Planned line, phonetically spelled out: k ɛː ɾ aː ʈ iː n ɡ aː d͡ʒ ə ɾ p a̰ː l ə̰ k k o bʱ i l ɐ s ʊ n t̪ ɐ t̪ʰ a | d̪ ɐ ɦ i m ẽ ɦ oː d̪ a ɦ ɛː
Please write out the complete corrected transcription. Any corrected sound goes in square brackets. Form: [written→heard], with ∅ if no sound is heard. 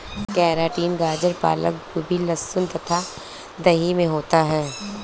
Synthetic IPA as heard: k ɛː ɾ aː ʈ iː n ɡ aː d͡ʒ ə ɾ p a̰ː l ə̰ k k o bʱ i l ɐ s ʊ n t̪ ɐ t̪ʰ a | d̪ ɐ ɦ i m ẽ ɦ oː [d̪→t̪] a ɦ ɛː